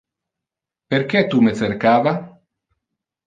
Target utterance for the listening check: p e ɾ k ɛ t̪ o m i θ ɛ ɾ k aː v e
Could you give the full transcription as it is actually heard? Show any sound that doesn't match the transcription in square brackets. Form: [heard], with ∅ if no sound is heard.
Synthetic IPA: p e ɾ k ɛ t̪ [u] m [e] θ [e] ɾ k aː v [a]